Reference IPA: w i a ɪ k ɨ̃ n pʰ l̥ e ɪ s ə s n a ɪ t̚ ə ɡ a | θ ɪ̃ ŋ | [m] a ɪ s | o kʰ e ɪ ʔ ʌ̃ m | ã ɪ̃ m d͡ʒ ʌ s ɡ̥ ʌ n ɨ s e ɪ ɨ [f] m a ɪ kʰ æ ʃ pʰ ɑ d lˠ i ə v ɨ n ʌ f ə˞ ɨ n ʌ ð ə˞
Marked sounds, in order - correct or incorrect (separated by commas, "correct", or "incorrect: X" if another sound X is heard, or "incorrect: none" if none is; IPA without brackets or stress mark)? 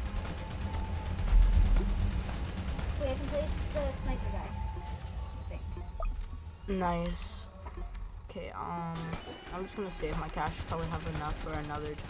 incorrect: n, correct